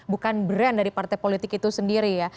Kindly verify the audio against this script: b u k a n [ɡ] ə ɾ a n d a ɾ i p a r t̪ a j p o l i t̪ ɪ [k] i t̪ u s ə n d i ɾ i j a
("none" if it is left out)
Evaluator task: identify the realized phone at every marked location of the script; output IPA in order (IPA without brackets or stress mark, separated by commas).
b, k